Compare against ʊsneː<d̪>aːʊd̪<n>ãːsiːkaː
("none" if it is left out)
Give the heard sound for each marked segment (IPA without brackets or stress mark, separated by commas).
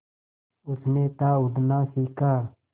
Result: t̪, n